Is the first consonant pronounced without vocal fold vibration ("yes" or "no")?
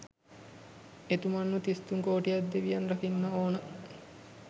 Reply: yes